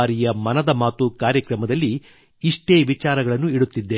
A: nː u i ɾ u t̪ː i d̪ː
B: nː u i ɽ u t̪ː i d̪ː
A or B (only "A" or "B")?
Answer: B